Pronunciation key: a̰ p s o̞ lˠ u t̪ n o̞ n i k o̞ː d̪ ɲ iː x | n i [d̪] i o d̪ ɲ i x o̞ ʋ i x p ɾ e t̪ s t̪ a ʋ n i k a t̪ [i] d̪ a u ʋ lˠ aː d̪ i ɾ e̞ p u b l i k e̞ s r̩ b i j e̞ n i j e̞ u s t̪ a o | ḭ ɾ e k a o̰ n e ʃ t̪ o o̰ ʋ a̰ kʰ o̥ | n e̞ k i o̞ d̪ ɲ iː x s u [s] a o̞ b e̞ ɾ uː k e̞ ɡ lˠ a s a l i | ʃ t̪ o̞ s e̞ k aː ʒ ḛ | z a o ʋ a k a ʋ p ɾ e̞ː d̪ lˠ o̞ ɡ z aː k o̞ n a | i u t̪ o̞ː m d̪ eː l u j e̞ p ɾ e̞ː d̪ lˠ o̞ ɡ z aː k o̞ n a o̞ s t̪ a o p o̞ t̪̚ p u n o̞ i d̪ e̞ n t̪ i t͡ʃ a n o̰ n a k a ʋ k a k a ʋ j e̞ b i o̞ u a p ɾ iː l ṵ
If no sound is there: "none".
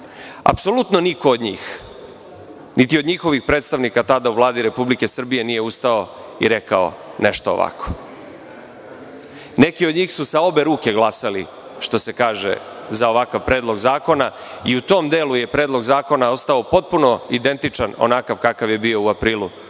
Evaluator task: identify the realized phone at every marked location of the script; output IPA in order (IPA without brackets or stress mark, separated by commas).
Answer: t̪, a, s